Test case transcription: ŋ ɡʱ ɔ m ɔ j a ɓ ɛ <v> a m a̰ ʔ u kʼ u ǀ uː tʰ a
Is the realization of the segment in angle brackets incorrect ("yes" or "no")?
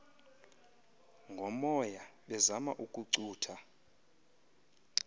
yes